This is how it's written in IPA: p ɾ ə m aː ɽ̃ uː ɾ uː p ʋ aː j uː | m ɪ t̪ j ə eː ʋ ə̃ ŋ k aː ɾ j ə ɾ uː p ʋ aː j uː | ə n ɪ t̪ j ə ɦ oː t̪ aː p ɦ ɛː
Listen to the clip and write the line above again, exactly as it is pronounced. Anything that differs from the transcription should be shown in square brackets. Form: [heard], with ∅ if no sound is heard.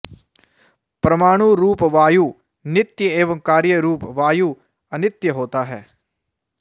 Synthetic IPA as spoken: p ɾ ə m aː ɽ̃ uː ɾ uː p ʋ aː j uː | [n] ɪ t̪ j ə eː ʋ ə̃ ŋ k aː ɾ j ə ɾ uː p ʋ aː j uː | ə n ɪ t̪ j ə ɦ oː t̪ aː [∅] ɦ ɛː